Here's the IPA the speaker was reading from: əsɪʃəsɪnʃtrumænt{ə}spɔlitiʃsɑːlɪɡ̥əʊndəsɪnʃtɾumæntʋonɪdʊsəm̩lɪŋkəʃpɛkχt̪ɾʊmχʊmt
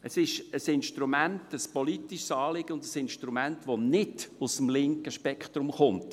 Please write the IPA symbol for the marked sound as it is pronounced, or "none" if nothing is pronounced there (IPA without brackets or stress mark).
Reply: ə